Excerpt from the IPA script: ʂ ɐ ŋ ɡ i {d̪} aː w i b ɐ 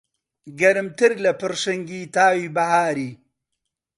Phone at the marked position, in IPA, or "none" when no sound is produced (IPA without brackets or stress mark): t̪